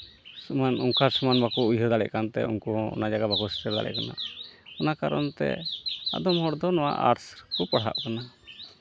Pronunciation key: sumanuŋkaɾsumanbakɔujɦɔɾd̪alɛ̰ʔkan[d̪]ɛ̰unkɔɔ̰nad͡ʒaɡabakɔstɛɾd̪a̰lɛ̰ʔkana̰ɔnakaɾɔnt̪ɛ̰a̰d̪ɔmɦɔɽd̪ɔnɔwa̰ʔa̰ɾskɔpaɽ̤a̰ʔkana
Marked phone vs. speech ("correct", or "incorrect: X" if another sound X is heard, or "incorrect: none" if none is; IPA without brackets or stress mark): incorrect: t̪